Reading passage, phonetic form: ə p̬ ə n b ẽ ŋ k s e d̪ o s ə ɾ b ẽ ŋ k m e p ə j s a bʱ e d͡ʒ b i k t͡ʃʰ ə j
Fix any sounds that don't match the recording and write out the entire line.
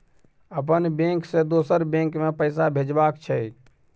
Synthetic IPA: ə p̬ ə n b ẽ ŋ k s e d̪ o s ə ɾ b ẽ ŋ k m e p ə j s a bʱ e d͡ʒ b a k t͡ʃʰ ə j